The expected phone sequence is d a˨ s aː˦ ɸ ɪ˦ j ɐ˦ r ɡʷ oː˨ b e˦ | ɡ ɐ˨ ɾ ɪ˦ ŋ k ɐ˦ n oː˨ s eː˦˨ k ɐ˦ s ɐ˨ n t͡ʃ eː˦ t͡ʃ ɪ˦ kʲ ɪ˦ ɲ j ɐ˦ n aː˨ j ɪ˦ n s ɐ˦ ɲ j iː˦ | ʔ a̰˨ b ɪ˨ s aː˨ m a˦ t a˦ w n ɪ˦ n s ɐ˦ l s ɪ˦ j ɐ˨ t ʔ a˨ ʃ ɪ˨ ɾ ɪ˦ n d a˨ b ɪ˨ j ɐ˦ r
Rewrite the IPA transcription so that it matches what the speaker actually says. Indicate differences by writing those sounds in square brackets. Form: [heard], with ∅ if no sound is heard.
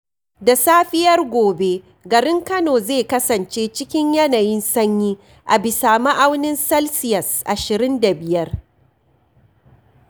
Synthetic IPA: d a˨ s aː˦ ɸ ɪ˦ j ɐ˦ r ɡʷ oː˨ b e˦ | ɡ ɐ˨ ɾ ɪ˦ ŋ k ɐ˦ n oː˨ [z] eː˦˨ k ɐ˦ s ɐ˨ n t͡ʃ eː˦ t͡ʃ ɪ˦ kʲ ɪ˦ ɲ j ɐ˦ n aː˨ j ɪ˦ n s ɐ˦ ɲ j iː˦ | ʔ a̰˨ b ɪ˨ s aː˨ m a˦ [ʔ] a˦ w n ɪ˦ n s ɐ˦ l s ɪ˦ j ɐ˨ [s] ʔ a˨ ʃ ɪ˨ ɾ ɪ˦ n d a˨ b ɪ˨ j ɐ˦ r